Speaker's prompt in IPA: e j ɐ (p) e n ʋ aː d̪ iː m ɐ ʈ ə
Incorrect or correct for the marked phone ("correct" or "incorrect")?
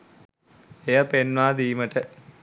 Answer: correct